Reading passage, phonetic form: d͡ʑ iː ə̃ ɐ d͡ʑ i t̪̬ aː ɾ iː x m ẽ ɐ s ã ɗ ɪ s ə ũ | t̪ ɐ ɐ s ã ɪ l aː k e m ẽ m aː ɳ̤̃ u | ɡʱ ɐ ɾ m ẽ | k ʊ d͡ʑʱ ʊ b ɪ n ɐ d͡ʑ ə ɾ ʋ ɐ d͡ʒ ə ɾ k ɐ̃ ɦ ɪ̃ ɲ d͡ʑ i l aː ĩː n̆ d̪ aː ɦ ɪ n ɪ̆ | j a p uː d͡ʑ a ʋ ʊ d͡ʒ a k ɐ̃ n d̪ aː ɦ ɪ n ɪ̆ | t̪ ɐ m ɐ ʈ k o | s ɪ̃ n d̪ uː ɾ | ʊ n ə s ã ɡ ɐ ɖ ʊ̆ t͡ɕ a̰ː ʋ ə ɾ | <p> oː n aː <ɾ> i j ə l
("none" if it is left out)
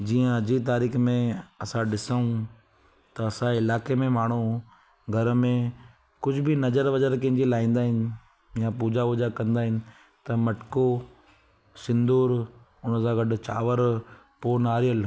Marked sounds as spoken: p, ɾ

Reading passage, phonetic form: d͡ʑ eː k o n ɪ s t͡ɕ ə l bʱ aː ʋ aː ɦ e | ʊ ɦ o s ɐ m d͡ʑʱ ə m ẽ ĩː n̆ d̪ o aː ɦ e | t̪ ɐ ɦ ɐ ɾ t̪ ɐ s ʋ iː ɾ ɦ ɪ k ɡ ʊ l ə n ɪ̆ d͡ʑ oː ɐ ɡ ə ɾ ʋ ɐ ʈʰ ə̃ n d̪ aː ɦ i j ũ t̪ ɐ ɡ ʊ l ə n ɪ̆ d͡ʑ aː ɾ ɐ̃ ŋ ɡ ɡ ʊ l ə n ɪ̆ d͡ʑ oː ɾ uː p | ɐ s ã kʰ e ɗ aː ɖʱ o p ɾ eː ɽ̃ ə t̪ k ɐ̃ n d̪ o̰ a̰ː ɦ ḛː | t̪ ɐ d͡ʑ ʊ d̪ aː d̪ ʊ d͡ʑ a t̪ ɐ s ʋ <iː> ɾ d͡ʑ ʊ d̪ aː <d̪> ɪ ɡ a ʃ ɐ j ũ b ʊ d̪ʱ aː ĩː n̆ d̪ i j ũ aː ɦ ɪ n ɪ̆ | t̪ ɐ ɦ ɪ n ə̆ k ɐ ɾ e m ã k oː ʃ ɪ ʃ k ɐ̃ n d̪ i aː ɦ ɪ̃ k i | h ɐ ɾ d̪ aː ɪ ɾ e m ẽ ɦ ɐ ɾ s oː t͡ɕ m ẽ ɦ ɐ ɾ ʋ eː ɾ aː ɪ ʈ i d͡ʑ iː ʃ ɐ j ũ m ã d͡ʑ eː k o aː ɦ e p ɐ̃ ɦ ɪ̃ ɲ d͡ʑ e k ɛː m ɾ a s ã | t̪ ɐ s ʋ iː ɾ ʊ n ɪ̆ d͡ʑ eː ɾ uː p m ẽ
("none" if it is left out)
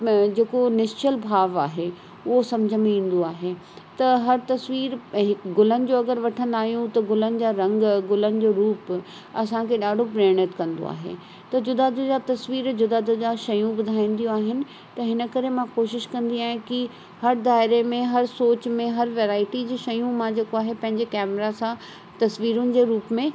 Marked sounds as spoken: iː, d̪

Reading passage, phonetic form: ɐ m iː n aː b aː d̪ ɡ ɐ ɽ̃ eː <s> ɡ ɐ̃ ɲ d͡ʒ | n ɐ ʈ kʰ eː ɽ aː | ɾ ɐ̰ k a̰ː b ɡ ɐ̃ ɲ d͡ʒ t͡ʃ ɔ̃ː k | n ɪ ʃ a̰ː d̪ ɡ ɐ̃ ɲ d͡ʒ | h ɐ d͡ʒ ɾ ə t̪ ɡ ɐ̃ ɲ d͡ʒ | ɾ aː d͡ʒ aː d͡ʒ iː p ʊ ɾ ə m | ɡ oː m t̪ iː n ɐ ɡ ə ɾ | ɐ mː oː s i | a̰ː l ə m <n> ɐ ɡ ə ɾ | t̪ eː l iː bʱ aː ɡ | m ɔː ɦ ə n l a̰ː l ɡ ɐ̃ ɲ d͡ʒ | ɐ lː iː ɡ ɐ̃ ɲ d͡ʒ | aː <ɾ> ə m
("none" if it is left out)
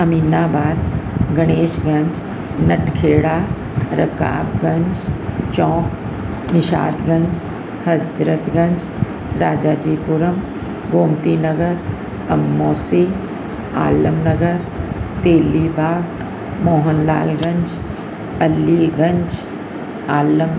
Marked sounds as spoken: ʃ, n, l

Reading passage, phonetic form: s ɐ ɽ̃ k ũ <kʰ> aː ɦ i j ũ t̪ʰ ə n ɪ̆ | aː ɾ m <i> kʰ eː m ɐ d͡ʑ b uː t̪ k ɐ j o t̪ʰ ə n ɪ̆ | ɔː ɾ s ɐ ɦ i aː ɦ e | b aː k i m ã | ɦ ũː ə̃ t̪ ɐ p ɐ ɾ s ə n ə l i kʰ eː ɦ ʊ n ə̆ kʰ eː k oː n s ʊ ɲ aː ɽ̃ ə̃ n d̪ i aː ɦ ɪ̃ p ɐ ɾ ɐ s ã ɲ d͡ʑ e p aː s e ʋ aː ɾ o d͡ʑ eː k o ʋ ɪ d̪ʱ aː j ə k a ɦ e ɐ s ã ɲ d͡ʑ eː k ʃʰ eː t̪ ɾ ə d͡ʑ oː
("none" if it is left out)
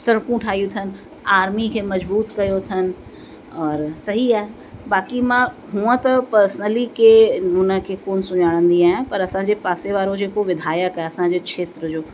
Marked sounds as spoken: ʈʰ, i

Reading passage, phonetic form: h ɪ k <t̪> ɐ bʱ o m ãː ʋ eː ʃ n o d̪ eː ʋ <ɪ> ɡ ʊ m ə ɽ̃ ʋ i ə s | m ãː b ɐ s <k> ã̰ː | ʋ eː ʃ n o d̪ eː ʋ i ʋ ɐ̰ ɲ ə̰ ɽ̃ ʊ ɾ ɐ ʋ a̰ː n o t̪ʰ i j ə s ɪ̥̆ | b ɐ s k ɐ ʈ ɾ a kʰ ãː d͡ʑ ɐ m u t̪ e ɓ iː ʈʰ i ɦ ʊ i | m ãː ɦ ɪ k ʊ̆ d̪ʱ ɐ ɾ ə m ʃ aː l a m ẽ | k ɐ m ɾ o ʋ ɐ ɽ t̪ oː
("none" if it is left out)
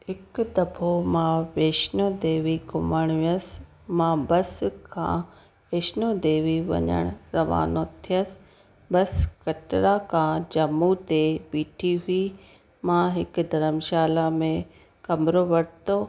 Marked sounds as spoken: d̪, i, kʰ

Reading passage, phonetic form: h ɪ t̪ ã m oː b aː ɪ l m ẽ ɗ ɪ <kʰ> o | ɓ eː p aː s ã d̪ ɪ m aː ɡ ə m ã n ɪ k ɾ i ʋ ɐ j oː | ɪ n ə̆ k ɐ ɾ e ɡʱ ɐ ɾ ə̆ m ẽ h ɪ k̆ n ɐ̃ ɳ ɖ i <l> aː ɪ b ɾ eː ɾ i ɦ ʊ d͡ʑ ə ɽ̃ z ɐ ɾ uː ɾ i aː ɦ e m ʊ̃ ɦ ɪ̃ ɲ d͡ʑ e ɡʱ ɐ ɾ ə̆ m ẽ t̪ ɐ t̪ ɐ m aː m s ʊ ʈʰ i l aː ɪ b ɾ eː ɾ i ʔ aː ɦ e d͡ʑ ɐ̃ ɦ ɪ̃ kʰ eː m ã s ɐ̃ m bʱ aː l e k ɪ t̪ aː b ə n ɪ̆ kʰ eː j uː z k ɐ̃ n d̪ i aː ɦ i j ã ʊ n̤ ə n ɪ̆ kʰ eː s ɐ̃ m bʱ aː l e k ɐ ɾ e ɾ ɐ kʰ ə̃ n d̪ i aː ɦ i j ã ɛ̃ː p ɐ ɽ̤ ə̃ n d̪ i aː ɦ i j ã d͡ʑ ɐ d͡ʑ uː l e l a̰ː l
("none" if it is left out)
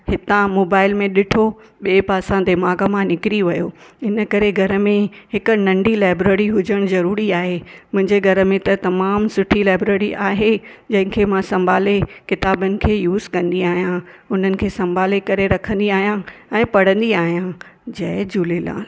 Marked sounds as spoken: ʈʰ, l

